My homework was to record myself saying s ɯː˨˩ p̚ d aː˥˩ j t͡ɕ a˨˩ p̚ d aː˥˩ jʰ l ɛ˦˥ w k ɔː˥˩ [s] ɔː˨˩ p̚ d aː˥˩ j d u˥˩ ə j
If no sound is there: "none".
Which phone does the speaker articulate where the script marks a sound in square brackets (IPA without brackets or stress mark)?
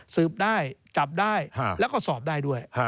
s